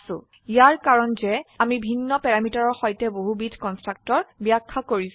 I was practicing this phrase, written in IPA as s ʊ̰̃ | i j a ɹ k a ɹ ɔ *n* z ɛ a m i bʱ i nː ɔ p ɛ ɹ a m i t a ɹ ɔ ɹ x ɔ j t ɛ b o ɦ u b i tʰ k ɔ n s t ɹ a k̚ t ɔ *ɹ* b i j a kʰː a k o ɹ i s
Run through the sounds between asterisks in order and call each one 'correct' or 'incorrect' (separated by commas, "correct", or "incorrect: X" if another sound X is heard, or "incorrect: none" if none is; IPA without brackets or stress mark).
correct, correct